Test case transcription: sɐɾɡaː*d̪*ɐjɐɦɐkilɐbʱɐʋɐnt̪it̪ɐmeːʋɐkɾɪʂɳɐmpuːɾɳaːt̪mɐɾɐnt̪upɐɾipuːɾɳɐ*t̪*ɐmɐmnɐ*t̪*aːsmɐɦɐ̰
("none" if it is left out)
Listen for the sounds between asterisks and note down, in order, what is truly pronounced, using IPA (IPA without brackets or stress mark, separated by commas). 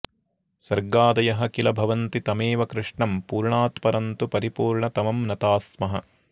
d̪, t̪, t̪